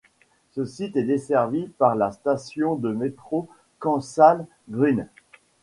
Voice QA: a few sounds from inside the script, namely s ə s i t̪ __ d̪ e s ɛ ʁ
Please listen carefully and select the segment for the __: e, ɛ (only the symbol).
ɛ